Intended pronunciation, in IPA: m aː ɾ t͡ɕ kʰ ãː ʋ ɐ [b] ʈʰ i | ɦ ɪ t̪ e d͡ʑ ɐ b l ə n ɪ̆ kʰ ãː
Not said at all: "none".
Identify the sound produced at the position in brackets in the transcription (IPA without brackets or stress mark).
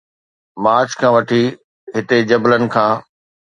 none